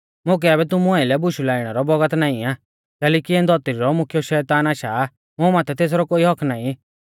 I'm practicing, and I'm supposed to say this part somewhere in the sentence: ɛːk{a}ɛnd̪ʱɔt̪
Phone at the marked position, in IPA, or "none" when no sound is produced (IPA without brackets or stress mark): i